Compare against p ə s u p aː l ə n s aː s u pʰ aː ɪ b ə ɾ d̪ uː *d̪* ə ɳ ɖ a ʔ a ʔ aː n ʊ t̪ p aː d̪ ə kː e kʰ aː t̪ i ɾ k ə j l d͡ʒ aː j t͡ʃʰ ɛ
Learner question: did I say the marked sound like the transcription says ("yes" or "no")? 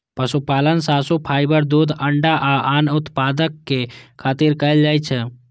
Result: yes